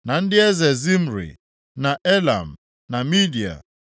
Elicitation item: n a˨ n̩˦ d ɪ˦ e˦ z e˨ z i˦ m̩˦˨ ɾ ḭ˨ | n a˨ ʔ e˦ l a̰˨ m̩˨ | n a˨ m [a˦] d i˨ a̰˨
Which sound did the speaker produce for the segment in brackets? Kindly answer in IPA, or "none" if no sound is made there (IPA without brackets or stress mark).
i˦